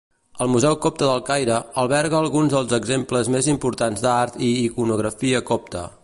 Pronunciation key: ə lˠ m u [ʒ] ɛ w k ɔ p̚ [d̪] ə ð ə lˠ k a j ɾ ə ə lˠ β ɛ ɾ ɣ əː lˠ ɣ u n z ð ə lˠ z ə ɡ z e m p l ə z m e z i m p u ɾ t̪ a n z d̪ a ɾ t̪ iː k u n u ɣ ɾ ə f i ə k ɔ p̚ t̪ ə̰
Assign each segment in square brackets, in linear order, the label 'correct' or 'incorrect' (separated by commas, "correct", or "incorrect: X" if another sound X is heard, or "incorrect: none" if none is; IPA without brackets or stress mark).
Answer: incorrect: z, incorrect: t̪